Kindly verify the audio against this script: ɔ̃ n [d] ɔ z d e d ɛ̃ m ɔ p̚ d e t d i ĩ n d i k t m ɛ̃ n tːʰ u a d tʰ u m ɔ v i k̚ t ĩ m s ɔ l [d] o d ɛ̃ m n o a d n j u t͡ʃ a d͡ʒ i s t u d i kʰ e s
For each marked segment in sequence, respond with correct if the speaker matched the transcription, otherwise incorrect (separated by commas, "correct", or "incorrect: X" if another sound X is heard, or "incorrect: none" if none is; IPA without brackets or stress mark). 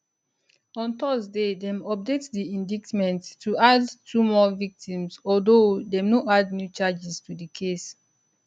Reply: incorrect: t, correct